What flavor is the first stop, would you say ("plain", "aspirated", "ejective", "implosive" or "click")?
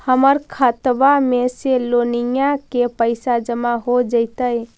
aspirated